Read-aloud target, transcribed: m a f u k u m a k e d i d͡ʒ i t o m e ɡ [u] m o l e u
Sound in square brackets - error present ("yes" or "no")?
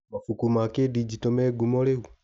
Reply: no